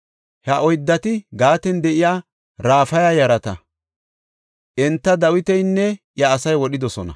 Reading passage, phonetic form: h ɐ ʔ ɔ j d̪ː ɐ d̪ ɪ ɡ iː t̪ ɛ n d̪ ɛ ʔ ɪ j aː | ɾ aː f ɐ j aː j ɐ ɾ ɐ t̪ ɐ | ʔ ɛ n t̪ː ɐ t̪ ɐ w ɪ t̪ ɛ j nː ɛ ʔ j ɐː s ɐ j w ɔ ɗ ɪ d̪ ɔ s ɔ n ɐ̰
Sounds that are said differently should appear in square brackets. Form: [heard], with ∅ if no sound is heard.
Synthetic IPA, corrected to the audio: h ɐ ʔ ɔ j d̪ː ɐ [t̪] ɪ ɡ [aː] t̪ ɛ n d̪ ɛ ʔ ɪ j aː | ɾ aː f ɐ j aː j ɐ ɾ ɐ t̪ ɐ | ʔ ɛ n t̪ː ɐ [d̪] ɐ w ɪ t̪ ɛ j nː ɛ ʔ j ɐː s ɐ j w ɔ ɗ ɪ d̪ ɔ s ɔ n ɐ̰